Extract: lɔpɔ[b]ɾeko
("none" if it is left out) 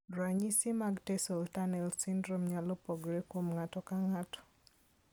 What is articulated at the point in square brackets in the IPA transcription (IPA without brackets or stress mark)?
ɡ